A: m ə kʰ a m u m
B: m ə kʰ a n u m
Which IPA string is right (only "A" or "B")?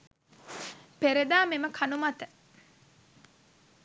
B